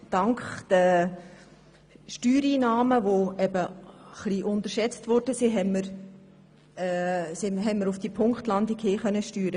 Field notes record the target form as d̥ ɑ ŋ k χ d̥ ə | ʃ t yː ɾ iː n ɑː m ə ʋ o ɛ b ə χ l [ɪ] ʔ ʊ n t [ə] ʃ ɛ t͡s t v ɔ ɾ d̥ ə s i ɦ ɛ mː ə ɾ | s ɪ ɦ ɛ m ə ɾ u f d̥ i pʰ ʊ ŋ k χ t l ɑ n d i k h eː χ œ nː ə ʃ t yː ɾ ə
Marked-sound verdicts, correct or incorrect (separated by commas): incorrect, correct